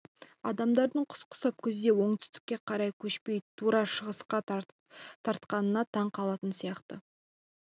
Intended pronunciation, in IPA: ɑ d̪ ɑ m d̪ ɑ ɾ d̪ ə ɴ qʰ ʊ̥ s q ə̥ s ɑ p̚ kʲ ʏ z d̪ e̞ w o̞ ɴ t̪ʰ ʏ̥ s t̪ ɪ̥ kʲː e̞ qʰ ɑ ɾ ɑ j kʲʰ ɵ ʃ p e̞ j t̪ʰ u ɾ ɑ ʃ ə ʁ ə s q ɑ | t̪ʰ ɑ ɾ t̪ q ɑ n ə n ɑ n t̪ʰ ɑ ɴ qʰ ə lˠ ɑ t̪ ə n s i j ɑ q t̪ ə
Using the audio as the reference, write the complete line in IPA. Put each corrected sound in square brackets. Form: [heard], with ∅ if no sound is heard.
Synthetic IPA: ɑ d̪ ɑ m d̪ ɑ ɾ d̪ ə ɴ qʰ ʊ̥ s q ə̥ s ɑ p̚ kʲ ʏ z d̪ e̞ w o̞ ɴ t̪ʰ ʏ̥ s t̪ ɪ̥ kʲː e̞ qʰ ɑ ɾ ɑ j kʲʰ ɵ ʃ p e̞ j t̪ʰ u ɾ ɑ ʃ ə ʁ ə s q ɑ | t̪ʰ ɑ ɾ t̪ q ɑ n ə n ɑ [∅] t̪ʰ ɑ ɴ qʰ [ɑ] lˠ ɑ t̪ ə n s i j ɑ q t̪ ə

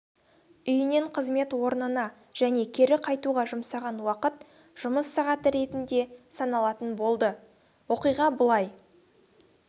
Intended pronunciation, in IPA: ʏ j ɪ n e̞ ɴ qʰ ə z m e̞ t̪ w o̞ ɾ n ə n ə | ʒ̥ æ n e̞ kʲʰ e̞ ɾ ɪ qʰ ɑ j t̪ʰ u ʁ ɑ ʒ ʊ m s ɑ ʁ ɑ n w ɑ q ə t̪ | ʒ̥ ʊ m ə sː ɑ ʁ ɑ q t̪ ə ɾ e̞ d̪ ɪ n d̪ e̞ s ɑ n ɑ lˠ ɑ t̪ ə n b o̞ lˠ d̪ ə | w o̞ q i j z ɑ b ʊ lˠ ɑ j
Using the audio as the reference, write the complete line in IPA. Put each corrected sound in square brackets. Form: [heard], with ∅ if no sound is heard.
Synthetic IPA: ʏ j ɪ n e̞ ɴ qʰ ə z m e̞ t̪ w o̞ ɾ n ə n [ɑ] | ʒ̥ æ n e̞ kʲʰ e̞ ɾ ɪ qʰ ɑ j [t̪] u ʁ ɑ ʒ ʊ m s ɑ ʁ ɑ n w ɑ q ə t̪ | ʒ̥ ʊ m ə sː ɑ ʁ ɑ [∅] t̪ ə ɾ e̞ [t̪] ɪ n d̪ e̞ s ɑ n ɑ lˠ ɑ t̪ ə n b o̞ lˠ d̪ ə | w o̞ q i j [ʁ] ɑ b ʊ lˠ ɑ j

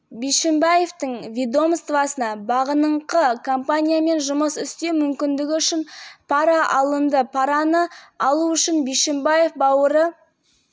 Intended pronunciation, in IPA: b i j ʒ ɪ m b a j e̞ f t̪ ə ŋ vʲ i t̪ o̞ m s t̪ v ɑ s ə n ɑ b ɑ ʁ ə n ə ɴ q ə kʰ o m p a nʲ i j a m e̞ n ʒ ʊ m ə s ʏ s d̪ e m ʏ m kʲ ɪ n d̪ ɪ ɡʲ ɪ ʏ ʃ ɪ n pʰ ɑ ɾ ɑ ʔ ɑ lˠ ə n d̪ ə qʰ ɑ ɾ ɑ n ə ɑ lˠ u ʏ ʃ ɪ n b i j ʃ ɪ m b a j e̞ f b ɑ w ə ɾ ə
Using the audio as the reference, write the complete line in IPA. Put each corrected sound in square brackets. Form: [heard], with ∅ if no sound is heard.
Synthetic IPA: b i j [ʃ] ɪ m b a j e̞ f t̪ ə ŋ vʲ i [d̪] o̞ m s t̪ v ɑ s ə n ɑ b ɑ ʁ ə n ə ɴ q ə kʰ o m p a nʲ i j a m e̞ n ʒ ʊ m ə s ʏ s [t̪] e m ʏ m kʲ ɪ n d̪ ɪ ɡʲ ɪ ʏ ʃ ɪ n pʰ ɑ ɾ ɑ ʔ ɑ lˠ ə n d̪ ə [pʰ] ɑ ɾ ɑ n ə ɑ lˠ u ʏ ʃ ɪ n b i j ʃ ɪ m b a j e̞ f b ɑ w ə ɾ ə

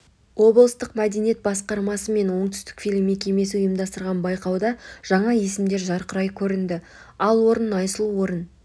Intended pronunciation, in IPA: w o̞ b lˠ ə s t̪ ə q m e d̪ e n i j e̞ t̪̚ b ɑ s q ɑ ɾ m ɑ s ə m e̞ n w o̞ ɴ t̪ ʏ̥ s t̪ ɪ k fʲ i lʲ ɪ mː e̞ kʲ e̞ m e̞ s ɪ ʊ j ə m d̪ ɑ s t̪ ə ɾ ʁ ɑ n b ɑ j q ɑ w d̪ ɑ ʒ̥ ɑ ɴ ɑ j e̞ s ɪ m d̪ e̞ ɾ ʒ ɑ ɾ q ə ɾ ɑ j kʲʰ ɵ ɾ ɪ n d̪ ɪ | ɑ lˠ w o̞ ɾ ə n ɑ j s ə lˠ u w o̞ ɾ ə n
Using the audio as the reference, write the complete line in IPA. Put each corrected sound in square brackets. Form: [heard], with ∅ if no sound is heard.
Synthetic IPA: w o̞ b lˠ ə s t̪ ə q m [æ] d̪ e n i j e̞ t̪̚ b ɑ s q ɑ ɾ m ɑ s ə m e̞ n w o̞ ɴ t̪ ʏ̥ s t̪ ɪ k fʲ i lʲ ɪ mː e̞ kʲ e̞ m e̞ s ɪ ʊ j ə m d̪ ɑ s t̪ ə ɾ ʁ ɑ n b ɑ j q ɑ w d̪ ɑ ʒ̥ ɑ ɴ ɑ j e̞ s ɪ m d̪ e̞ ɾ ʒ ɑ ɾ q ə ɾ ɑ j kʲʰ ɵ ɾ ɪ n d̪ ɪ | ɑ lˠ w o̞ ɾ ə n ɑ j s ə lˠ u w o̞ ɾ ə n

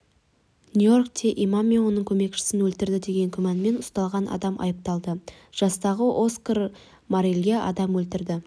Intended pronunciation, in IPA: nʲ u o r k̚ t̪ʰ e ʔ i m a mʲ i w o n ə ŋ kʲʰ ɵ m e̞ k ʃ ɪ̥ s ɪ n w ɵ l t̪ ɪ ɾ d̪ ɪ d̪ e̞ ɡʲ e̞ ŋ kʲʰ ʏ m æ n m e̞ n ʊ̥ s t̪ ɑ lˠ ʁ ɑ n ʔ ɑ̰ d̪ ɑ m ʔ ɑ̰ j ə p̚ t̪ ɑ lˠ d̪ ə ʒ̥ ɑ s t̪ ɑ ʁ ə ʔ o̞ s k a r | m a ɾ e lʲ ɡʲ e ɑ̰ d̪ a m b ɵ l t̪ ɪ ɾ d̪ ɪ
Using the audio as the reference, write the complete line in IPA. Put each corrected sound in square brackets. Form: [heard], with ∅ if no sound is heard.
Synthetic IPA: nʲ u o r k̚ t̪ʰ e ʔ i m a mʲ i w o n ə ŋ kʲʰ ɵ m e̞ k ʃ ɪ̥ s ɪ n w ɵ l t̪ ɪ ɾ d̪ ɪ d̪ e̞ ɡʲ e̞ ŋ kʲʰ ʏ m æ n m e̞ n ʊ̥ s t̪ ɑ lˠ ʁ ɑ n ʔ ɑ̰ d̪ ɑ m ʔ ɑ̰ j ə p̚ t̪ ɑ lˠ d̪ ə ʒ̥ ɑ s t̪ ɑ ʁ ə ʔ o̞ s k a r | m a ɾ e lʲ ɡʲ e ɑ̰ d̪ [ɑ] m [w] ɵ l t̪ ɪ ɾ d̪ ɪ

